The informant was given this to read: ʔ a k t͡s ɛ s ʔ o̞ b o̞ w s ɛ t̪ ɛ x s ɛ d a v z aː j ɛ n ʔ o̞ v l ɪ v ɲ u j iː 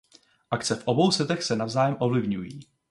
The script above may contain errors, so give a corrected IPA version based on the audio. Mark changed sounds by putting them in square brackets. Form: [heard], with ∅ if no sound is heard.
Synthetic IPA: ʔ a k t͡s ɛ [f] ʔ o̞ b o̞ w s ɛ t̪ ɛ x s ɛ [n] a v z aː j ɛ [m] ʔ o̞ v l ɪ v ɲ u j iː